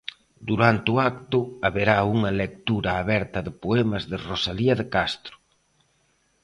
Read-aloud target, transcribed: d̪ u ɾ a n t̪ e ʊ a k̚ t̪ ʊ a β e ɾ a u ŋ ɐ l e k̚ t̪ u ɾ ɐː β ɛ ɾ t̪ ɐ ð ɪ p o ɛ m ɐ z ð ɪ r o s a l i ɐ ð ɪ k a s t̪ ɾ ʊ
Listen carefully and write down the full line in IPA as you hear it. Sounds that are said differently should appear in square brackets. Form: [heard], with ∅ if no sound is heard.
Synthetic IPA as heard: d̪ u ɾ a n t̪ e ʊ a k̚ t̪ ʊ a β e ɾ a u ŋ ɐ l e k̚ t̪ u ɾ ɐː β ɛ ɾ t̪ ɐ ð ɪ p o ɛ m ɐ z ð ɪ r o s a l i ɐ ð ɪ k a s t̪ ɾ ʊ